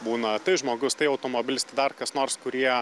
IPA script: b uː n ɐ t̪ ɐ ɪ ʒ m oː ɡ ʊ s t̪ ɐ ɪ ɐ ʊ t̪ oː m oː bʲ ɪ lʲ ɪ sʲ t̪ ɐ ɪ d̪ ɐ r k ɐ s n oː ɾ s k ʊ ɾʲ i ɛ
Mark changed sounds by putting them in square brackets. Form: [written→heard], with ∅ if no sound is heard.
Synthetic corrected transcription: b uː n ɐ t̪ ɐ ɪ ʒ m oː ɡ ʊ s t̪ ɐ ɪ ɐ ʊ t̪ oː m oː bʲ ɪ lʲ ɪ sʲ t̪ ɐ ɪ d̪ ɐ r k ɐ s n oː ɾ s k ʊ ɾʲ i ɛ